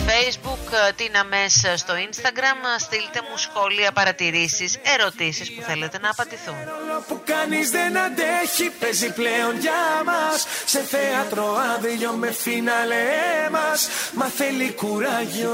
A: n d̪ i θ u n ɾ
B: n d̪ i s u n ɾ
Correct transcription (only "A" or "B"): A